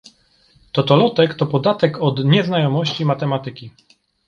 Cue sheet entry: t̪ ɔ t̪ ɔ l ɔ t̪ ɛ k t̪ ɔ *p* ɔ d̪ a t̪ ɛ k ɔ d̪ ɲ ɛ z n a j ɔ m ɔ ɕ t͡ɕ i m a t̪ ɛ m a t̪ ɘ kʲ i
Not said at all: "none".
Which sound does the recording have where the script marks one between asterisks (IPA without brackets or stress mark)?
p